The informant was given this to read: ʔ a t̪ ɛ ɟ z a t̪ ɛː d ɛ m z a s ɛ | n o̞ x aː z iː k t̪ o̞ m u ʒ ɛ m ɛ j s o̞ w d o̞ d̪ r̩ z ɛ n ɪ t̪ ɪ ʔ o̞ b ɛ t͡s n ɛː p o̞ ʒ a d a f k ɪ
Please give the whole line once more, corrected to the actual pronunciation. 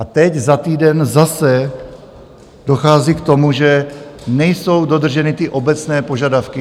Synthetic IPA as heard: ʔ a t̪ ɛ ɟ z a t̪ iː d ɛ n z a s ɛ | d o̞ x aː z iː k t̪ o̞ m u ʒ ɛ n ɛ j s o̞ w d o̞ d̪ r̩ ʒ ɛ n ɪ t̪ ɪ ʔ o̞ b ɛ t͡s n ɛː p o̞ ʒ a d a f k ɪ